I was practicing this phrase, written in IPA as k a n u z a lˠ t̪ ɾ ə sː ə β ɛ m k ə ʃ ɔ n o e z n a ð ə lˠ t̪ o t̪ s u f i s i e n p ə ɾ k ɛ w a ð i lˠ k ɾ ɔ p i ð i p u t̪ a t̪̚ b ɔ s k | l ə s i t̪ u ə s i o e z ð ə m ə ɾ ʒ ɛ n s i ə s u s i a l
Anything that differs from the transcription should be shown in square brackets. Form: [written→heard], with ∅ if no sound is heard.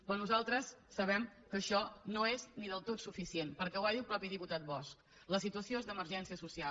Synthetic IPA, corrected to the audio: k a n u z a lˠ t̪ ɾ ə sː ə β ɛ m k ə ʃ ɔ n o e z n [a→i] ð ə lˠ t̪ o t̪ s u f i s i e n p ə ɾ k ɛ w a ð i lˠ [k→p] ɾ ɔ p i ð i p u t̪ a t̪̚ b ɔ s k | l ə s i t̪ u ə s i o e z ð ə m ə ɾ ʒ ɛ n s i ə s u s i a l